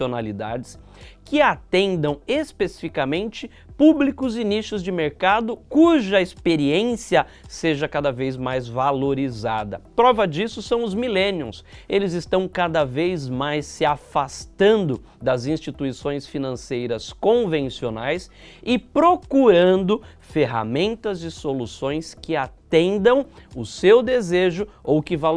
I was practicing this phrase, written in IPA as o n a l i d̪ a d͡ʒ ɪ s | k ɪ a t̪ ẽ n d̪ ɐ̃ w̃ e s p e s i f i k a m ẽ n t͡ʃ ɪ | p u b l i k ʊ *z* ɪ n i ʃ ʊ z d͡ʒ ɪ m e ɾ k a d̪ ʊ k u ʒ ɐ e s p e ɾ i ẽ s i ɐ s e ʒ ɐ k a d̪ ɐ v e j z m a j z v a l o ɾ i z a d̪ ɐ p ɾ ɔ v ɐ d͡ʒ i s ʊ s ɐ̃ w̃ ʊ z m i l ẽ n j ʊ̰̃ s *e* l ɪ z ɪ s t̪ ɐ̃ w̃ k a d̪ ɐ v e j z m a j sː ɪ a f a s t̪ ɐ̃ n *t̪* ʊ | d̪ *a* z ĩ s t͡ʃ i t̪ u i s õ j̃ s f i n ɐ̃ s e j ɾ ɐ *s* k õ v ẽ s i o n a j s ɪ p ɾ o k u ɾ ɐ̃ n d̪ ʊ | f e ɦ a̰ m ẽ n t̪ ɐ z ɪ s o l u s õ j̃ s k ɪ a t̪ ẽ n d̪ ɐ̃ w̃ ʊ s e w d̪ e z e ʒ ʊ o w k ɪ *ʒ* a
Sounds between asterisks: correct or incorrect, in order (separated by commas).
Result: correct, correct, incorrect, incorrect, correct, incorrect